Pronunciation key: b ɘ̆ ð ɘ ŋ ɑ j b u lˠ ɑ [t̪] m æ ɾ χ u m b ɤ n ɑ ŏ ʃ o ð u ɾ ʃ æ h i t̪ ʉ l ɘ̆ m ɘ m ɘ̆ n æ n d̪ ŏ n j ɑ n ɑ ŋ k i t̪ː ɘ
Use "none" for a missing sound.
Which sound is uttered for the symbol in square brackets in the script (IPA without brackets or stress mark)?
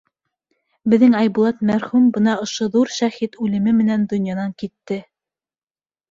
t̪